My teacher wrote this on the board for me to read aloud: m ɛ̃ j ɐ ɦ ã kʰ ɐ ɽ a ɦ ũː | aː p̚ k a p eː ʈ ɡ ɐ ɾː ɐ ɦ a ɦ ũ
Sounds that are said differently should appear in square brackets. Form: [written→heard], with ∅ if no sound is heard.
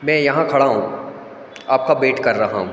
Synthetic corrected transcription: m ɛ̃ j ɐ ɦ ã kʰ ɐ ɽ a ɦ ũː | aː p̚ k a [p→b] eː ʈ [ɡ→k] ɐ ɾː ɐ ɦ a ɦ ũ